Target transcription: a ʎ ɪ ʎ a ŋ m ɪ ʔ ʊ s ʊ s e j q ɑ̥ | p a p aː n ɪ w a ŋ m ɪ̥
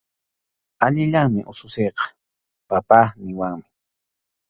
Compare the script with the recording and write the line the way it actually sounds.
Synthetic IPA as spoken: a ʎ ɪ ʎ a ŋ m ɪ ʔ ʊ s ʊ s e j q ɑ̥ | p a p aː n ɪ w a ŋ m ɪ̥